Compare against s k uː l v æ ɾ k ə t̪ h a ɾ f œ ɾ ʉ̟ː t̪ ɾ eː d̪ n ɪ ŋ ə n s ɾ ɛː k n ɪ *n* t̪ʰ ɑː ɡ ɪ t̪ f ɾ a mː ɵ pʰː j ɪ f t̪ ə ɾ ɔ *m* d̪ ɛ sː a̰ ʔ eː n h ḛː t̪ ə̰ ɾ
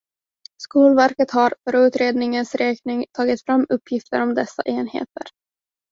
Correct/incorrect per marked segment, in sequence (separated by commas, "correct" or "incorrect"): incorrect, correct